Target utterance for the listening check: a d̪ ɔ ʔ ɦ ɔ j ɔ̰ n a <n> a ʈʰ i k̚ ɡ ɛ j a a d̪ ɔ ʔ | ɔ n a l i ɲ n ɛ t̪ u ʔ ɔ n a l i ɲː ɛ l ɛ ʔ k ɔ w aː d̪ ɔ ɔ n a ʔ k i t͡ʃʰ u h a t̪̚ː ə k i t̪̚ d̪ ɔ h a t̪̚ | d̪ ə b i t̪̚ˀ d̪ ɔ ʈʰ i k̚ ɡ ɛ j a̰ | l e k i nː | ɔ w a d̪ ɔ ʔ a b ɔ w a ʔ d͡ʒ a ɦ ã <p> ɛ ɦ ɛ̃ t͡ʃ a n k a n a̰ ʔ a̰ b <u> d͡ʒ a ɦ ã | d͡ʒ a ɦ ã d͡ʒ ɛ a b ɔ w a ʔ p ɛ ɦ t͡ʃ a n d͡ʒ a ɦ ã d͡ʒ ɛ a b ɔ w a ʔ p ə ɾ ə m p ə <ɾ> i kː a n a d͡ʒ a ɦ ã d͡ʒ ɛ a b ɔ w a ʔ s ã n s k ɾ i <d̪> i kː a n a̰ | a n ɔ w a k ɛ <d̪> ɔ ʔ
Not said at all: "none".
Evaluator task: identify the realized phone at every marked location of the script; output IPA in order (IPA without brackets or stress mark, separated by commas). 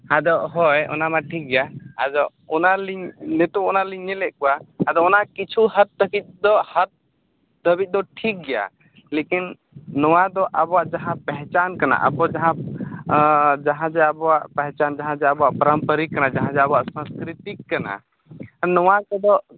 m, p, ɔ, ɾ, t̪, d̪